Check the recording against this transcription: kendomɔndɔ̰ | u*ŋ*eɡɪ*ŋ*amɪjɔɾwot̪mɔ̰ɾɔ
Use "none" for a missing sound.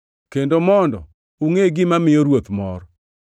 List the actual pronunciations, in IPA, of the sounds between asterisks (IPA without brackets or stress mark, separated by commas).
ŋ, m